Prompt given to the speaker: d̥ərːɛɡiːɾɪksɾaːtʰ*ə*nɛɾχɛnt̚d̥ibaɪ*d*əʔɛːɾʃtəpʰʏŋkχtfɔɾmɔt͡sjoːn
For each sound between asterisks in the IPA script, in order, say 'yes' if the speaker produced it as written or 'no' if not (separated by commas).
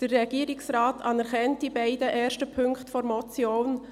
no, yes